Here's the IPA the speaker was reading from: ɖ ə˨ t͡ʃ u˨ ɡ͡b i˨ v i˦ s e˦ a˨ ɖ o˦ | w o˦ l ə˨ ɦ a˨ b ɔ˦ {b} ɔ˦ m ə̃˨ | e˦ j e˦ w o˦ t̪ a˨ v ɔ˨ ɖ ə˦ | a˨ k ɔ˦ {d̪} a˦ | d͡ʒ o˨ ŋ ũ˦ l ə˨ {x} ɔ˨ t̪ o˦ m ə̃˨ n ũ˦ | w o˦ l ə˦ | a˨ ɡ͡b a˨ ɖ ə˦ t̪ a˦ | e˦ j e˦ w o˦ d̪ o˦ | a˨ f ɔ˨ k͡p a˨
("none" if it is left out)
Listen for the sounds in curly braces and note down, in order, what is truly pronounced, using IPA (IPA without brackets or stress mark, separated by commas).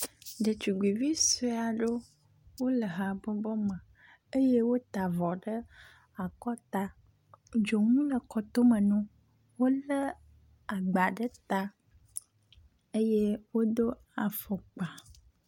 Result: b, t̪, k